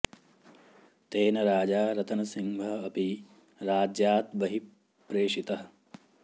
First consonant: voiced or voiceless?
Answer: voiceless